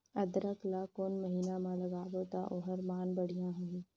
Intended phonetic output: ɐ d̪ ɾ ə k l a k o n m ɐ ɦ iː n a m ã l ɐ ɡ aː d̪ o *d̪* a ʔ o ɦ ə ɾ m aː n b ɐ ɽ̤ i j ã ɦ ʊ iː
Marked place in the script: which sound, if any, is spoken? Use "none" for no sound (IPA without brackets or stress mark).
t̪